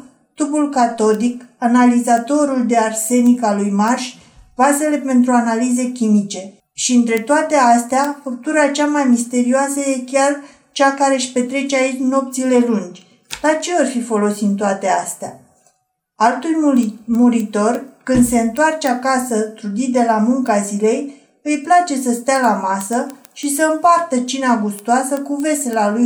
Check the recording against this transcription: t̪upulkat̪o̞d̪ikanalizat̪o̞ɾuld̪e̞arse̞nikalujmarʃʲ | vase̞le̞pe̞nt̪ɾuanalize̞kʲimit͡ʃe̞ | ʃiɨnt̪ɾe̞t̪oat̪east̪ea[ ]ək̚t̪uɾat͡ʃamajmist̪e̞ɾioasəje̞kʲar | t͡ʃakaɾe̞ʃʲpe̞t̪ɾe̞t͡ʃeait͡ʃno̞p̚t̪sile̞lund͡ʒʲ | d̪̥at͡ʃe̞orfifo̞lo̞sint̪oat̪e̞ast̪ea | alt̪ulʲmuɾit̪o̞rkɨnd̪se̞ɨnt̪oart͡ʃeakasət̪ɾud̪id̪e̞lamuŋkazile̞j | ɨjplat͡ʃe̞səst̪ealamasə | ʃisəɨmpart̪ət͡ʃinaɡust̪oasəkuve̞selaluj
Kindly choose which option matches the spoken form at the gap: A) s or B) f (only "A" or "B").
B